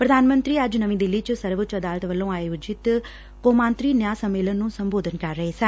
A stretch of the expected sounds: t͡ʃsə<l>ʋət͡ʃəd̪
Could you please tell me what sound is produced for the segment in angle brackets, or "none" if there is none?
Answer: ɾ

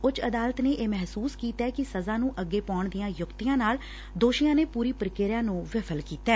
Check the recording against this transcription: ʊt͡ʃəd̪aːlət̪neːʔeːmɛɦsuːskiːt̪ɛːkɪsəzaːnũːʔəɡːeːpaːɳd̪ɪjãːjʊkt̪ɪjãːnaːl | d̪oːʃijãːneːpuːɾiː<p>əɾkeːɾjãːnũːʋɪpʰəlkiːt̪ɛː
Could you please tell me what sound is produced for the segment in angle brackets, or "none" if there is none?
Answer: p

